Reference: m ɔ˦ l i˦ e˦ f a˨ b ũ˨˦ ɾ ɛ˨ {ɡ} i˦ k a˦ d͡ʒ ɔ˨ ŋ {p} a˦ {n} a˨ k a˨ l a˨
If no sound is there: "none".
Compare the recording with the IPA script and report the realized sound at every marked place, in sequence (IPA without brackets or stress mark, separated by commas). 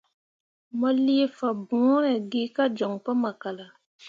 ɡ, p, m